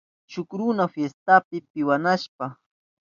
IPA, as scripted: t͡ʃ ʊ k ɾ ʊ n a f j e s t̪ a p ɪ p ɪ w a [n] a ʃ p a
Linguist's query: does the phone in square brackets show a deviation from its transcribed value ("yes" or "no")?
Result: no